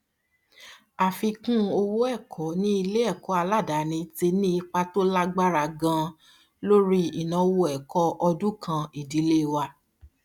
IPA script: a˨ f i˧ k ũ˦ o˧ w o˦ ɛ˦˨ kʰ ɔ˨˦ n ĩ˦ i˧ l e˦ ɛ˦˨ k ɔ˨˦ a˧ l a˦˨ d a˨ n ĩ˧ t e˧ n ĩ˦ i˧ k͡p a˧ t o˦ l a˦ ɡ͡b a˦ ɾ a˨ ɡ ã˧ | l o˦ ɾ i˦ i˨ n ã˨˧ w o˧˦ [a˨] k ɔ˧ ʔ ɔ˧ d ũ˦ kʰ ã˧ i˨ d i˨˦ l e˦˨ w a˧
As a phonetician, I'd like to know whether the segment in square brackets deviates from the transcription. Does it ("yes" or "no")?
yes